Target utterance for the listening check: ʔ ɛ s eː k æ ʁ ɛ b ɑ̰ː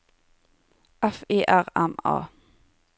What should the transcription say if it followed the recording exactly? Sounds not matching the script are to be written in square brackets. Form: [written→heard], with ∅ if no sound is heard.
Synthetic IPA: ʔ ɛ [s→f] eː [k→ʔ] æ ʁ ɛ [b→m] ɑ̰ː